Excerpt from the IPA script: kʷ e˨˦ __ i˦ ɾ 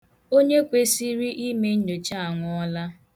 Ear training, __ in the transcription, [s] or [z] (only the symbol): s